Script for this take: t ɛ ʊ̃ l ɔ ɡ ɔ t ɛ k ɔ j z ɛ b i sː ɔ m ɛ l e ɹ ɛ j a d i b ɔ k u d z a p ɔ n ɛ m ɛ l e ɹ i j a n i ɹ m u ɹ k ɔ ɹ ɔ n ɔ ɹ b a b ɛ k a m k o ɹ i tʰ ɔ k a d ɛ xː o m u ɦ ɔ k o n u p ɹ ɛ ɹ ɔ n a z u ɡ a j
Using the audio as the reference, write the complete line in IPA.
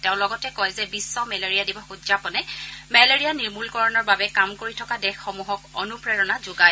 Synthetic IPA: t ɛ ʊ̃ l ɔ ɡ ɔ t ɛ k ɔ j z ɛ b i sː ɔ m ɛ l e ɹ i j a d i b ɔ x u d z a p ɔ n ɛ m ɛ l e ɹ i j a n i ɹ m u l k ɔ ɹ ɔ n ɔ ɹ b a b ɛ k a m k o ɹ i tʰ ɔ k a d ɛ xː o m u ɦ ɔ k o n u p ɹ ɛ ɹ ɔ n a z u ɡ a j

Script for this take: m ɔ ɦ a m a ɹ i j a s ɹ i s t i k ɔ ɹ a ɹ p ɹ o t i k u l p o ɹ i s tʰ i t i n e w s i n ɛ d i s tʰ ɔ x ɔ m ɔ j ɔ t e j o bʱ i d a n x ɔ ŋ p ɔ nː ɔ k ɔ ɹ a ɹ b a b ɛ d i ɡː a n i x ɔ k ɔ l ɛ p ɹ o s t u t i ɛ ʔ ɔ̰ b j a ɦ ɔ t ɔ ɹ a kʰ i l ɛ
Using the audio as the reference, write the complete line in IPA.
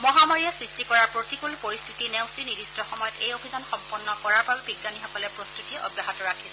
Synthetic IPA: m ɔ ɦ a m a ɹ i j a s ɹ i s t i k ɔ ɹ a ɹ p ɹ o t i k u l p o ɹ i s tʰ i t i n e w s i n i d i s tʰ ɔ x ɔ m ɔ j ɔ t e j o bʱ i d a n x ɔ m p ɔ nː ɔ k ɔ ɹ a ɹ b a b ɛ b i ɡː a n i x ɔ k ɔ l ɛ p ɹ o s t u t i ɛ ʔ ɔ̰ b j a ɦ ɔ t ɔ ɹ a kʰ i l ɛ

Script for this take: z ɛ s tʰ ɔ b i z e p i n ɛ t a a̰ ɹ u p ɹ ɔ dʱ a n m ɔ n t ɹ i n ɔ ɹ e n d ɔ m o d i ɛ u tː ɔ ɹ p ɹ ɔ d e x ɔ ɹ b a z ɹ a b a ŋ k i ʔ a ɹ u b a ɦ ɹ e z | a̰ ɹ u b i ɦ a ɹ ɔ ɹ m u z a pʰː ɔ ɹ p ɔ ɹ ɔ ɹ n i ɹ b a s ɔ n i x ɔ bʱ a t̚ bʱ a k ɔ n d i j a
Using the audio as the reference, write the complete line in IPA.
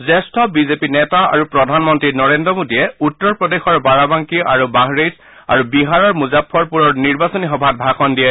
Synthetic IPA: z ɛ s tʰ ɔ b i z e p i n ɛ t a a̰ ɹ u p ɹ ɔ dʱ a n m ɔ n t ɹ i n ɔ ɹ e n d ɔ m o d i ɛ u tː ɔ ɹ p ɹ ɔ d e x ɔ ɹ b a ɹ a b a ŋ k i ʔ a ɹ u b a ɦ ɹ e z | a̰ ɹ u b i ɦ a ɹ ɔ ɹ m u z a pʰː ɔ ɹ p u ɹ ɔ ɹ n i ɹ b a s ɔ n i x ɔ bʱ a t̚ bʱ a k ɔ n d i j ɛ

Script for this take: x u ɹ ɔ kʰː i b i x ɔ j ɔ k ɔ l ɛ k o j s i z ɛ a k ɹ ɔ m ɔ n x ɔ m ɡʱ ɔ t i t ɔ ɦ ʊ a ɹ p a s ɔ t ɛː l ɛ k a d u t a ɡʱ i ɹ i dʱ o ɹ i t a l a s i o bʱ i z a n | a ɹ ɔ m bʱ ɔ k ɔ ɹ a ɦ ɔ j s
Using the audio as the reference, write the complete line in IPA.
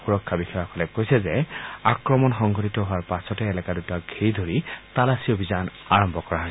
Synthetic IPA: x u ɹ ɔ kʰː a b i x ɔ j ɔ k ɔ l ɛ k o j s ɛ z ɛ a k ɹ ɔ m ɔ n x ɔ ŋ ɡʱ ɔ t i t ɔ ɦ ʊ a ɹ p a s ɔ t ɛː l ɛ k a d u t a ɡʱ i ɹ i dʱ o ɹ i t a l a s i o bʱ i z a n | a ɹ ɔ m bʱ ɔ k ɔ ɹ a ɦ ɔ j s

